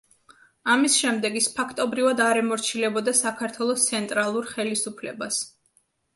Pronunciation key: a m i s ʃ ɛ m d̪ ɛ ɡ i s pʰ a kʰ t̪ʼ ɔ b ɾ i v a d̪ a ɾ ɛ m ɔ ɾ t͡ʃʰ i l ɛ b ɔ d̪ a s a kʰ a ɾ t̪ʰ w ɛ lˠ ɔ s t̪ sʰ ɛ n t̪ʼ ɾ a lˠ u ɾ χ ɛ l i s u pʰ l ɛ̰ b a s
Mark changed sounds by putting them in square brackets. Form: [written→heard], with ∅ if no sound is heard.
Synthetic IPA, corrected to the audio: a m i s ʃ ɛ m d̪ ɛ ɡ i s pʰ a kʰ t̪ʼ ɔ b ɾ i v a d̪ a ɾ ɛ m ɔ ɾ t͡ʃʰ i l ɛ b ɔ d̪ a s a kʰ a ɾ t̪ʰ w ɛ lˠ ɔ s t̪ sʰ ɛ n t̪ʼ ɾ a lˠ u ɾ χ ɛ l i s u pʰ l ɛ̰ b a s